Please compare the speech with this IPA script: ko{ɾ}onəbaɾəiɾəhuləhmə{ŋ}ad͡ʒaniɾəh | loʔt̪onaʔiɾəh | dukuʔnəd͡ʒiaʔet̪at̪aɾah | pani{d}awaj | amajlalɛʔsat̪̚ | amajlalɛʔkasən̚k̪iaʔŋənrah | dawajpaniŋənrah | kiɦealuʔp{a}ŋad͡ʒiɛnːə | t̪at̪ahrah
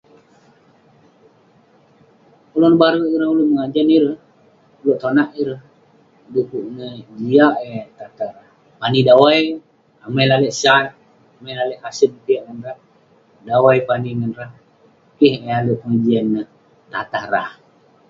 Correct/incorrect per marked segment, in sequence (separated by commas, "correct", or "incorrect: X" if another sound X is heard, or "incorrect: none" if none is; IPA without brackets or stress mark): incorrect: l, correct, correct, incorrect: ə